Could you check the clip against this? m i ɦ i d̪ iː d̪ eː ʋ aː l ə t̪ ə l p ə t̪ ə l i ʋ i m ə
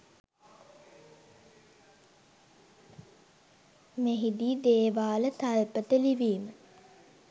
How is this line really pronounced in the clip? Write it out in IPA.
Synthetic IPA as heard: m e ɦ i d̪ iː d̪ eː ʋ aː l ə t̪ a l p ə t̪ ə l i ʋ iː m ə